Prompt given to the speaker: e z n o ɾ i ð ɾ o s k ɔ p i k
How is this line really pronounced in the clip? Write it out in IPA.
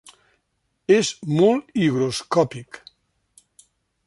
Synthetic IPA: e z m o l i ɣ ɾ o s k ɔ p i k

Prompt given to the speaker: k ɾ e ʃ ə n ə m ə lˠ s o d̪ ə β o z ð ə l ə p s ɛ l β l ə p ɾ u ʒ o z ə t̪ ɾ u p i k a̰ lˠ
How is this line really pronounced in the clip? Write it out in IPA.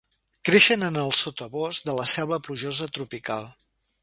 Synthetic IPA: k ɾ e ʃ ə n ə n ə lˠ s o t̪ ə β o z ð ə l ə s ɛ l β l ə p l u ʒ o z ə t̪ ɾ u p i k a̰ lˠ

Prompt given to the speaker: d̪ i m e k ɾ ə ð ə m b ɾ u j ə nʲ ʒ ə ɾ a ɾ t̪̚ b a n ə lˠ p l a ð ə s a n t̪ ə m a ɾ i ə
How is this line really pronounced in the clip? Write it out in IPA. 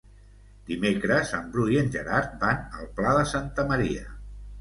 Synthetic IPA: d̪ i m e k ɾ ə z ə m b ɾ u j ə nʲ ʒ ə ɾ a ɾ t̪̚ b a n ə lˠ p l a ð ə s a n t̪ ə m ə ɾ i ə

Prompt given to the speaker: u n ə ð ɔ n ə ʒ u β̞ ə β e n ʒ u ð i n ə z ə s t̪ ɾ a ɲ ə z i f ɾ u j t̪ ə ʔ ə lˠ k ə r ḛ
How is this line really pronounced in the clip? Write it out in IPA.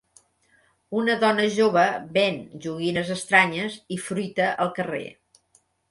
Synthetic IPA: u n ə ð ɔ n ə ʒ o β̞ ə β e n ʒ u ɣ i n ə z ə s t̪ ɾ a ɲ ə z i f ɾ u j t̪ ə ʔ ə lˠ k ə r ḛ

